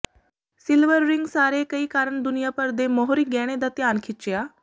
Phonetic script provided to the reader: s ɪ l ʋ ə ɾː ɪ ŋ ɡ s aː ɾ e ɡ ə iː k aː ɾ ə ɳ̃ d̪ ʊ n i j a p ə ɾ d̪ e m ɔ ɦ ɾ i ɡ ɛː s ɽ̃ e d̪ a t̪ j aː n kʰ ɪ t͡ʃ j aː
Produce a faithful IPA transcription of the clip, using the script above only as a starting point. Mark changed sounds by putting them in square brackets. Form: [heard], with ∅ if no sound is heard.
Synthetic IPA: s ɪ l ʋ ə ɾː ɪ ŋ ɡ s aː ɾ e [k] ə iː k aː ɾ ə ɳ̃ d̪ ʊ n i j a p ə ɾ d̪ e m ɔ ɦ ɾ i ɡ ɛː [∅] ɽ̃ e d̪ a t̪ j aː n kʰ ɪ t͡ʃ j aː